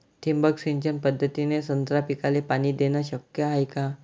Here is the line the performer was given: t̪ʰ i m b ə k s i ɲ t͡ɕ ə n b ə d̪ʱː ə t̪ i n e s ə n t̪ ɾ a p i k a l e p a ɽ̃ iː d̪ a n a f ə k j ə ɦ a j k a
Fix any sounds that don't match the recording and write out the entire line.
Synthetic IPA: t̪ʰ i m b ə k s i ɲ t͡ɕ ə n p ə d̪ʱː ə t̪ i n e s ə n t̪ ɾ a p i k a l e p a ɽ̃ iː d̪ e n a ɕ ə k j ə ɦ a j k a